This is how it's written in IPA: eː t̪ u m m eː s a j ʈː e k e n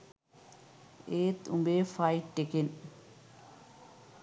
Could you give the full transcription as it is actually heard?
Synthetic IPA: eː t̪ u m b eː f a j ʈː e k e n